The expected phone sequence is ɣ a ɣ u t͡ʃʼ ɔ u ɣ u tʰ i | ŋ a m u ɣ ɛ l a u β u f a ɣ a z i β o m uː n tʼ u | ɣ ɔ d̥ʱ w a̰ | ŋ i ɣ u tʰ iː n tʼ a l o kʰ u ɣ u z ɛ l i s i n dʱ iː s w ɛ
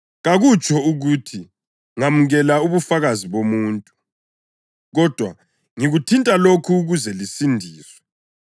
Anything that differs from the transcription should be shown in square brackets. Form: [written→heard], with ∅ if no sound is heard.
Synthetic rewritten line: ɣ a ɣ u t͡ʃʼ ɔ u ɣ u tʰ i | ŋ a m u ɣ ɛ l a u β u f a ɣ a z i β o m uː n tʼ u | ɣ ɔ d̥ʱ w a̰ | ŋ i ɣ u tʰ [iː→i] n tʼ a l o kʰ u ɣ u z ɛ l i s i n dʱ iː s w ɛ